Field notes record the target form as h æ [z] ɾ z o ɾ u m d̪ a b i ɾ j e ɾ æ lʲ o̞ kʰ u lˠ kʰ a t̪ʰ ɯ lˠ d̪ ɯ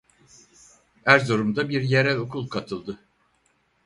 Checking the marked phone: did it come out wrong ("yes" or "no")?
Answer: yes